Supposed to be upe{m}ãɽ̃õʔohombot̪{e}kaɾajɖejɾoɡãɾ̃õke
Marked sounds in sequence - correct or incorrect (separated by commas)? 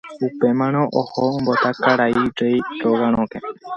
correct, incorrect